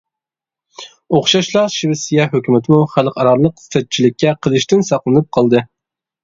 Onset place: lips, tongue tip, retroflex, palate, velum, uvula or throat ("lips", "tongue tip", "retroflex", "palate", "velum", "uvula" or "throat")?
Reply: uvula